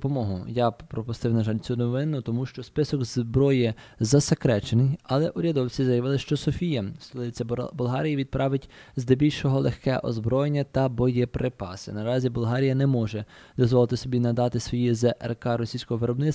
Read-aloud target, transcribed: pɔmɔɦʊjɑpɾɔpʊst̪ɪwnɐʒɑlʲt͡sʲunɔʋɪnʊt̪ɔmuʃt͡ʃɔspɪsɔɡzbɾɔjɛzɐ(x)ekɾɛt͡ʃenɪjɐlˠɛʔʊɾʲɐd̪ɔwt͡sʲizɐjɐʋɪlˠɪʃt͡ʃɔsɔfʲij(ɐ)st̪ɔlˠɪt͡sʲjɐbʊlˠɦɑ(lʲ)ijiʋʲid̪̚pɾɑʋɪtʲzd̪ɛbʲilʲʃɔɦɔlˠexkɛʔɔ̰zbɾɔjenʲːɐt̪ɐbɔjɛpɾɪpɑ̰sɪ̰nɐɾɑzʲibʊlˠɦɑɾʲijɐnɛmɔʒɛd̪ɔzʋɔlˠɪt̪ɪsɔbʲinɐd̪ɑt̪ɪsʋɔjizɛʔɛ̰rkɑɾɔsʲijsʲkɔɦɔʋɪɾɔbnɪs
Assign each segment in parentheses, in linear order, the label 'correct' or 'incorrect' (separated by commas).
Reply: incorrect, correct, incorrect